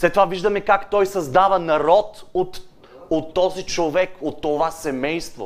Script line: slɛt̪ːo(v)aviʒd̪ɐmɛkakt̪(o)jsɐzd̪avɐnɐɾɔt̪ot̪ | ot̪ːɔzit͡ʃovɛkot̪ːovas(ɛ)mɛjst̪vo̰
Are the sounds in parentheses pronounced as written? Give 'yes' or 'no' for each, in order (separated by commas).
yes, no, yes